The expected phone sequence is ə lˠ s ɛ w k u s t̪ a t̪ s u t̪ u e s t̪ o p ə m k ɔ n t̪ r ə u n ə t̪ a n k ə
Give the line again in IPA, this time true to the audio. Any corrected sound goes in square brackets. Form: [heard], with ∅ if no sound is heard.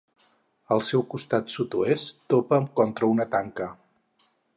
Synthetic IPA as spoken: ə lˠ s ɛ w k u s t̪ a t̪ s u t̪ u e s t̪ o p ə m k ɔ n t̪ [ɾ] ə u n ə t̪ a [ŋ] k ə